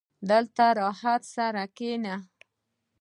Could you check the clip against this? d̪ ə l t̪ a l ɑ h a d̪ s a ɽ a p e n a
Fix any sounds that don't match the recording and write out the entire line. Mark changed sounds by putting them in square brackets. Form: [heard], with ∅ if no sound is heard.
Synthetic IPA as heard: d̪ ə l t̪ a [ɾ] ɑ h a [t̪] s a [ɾ] a [k] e n a